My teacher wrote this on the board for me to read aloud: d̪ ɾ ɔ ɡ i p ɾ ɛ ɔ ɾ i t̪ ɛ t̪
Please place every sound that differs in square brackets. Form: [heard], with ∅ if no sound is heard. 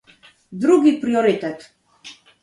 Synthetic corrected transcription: d̪ ɾ [u] ɡ i p ɾ [i] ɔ ɾ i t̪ ɛ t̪

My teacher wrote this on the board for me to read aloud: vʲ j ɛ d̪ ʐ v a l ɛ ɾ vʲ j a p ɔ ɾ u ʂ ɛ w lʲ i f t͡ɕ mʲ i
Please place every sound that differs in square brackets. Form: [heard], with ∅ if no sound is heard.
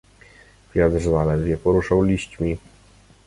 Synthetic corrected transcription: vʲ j [a] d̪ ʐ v a l ɛ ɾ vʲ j [ɛ] p ɔ ɾ u ʂ [a] w lʲ i [ɕ] t͡ɕ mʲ i

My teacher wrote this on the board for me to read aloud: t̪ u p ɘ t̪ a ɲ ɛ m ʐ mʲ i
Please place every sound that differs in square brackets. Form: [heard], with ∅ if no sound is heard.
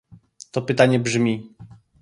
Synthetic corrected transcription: t̪ [ɔ] p ɘ t̪ a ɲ ɛ [b] ʐ mʲ i

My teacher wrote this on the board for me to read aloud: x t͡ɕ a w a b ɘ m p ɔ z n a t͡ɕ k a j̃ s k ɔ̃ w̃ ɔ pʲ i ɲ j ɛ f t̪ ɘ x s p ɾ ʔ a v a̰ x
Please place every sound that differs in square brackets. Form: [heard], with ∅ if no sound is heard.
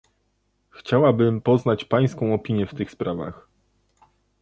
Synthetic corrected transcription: x t͡ɕ a w a b ɘ m p ɔ z n a t͡ɕ [p] a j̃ s k ɔ̃ w̃ ɔ pʲ i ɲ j ɛ f t̪ ɘ x s p ɾ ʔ a v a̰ x

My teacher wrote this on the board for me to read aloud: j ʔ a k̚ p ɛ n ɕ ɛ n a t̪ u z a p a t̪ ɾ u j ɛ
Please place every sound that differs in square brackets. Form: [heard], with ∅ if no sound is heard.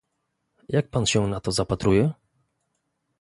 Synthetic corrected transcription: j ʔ a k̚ p [a] n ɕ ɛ n a t̪ [ɔ] z a p a t̪ ɾ u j ɛ

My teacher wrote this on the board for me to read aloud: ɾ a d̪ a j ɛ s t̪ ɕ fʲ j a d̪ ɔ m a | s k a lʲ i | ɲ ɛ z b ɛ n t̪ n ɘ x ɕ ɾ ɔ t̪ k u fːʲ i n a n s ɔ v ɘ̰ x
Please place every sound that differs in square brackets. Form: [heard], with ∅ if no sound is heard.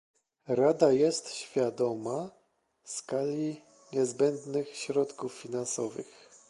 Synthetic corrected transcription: ɾ a d̪ a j ɛ s t̪ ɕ fʲ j a d̪ ɔ m a | s k a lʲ i | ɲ ɛ z b ɛ n [d̪] n ɘ x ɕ ɾ ɔ t̪ k u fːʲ i n a n s ɔ v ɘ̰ x

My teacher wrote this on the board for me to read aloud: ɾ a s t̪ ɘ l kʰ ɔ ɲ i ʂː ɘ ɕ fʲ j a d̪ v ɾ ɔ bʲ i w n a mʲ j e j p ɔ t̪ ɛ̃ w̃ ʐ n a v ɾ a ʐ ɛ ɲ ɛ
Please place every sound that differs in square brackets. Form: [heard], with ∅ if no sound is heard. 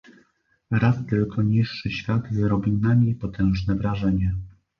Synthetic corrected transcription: ɾ a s t̪ ɘ l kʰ ɔ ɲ i ʂː ɘ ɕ fʲ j a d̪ [z] ɾ ɔ bʲ i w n a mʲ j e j p ɔ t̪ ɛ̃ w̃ ʐ n [ɛ] v ɾ a ʐ ɛ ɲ ɛ

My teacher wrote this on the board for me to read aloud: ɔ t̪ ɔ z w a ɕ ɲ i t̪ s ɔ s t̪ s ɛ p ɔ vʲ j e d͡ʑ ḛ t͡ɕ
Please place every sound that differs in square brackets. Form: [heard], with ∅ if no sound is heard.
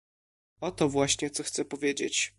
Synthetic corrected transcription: ɔ t̪ ɔ [v] w a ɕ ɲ [ɛ] t̪ s ɔ [x] t̪ s ɛ p ɔ vʲ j e d͡ʑ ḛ t͡ɕ

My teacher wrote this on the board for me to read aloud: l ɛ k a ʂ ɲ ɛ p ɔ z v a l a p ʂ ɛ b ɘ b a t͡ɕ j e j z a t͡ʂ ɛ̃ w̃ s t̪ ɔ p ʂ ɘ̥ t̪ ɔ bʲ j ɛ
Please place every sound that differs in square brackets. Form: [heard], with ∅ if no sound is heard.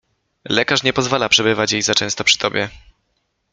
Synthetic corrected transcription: l ɛ k a ʂ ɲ ɛ p ɔ z v a l a p ʂ ɛ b ɘ [v] a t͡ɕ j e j z a t͡ʂ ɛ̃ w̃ s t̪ ɔ p ʂ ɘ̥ t̪ ɔ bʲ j ɛ

